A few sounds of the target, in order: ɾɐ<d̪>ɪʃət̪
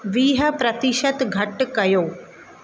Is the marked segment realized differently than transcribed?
yes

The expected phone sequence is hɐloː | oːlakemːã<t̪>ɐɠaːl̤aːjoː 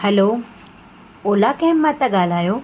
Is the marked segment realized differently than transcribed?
no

